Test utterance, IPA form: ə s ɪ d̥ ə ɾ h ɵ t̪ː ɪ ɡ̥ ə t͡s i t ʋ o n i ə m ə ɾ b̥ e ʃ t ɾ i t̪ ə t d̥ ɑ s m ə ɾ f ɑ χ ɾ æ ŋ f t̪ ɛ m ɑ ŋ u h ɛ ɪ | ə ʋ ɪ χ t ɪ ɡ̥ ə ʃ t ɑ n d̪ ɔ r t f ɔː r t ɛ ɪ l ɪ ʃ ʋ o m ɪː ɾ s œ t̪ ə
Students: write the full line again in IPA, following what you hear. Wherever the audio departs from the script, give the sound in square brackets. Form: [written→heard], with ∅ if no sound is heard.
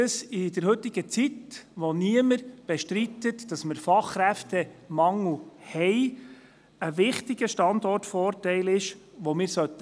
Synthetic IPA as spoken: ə s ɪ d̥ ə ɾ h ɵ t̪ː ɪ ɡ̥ ə t͡s i t ʋ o n i ə m ə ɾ b̥ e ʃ t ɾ i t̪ ə t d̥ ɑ s m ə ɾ f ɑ χ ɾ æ [ŋ→∅] f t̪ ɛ m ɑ ŋ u h ɛ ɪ | ə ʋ ɪ χ t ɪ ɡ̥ ə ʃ t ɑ n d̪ ɔ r t f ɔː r t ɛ ɪ l ɪ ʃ ʋ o m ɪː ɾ s œ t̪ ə